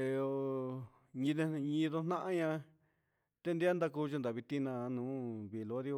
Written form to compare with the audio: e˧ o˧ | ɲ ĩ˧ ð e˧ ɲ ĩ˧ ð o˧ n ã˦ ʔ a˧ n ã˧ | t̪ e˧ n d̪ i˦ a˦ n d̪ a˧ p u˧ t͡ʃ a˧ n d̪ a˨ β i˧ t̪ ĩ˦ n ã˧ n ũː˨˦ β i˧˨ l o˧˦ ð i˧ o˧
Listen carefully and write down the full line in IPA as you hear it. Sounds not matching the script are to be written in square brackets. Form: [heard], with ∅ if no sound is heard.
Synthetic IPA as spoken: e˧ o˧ | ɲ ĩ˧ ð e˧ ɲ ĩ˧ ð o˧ n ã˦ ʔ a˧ [ɲ] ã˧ | t̪ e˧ n d̪ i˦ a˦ n d̪ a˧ [k] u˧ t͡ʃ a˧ n d̪ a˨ β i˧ t̪ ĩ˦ n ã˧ n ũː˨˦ β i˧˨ l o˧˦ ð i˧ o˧